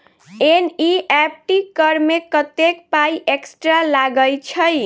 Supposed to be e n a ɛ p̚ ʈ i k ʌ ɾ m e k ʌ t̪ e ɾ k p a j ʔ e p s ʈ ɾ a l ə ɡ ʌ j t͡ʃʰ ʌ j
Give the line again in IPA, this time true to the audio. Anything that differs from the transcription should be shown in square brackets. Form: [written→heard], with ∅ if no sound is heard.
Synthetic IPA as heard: e n [a→i] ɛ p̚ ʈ i k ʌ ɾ m e k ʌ t̪ e [ɾ→∅] k p a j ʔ e [p→k] s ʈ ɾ a l [ə→a] ɡ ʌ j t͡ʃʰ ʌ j